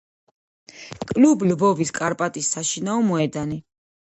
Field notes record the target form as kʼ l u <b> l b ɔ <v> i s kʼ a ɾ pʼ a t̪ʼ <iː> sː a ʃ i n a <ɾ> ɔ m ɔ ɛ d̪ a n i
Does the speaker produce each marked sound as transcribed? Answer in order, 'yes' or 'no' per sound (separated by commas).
yes, yes, no, no